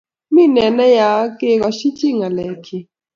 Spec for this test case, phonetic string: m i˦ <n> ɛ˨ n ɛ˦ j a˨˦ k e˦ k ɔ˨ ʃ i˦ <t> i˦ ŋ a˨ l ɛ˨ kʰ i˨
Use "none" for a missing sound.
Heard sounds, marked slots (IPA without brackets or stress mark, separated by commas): n, t͡ʃ